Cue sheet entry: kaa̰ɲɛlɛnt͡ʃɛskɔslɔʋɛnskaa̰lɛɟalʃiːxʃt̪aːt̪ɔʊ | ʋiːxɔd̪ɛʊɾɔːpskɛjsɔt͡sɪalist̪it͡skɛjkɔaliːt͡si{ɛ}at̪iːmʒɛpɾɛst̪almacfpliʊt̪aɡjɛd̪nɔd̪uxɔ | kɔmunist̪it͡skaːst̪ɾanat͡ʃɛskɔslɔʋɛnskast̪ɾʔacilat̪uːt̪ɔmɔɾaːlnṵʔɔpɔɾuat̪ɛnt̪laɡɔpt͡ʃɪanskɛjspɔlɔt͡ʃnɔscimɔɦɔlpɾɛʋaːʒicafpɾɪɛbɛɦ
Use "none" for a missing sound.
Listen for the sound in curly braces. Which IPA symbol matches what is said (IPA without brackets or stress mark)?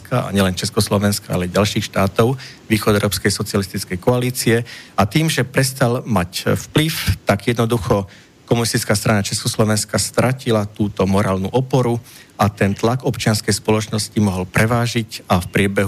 ɛ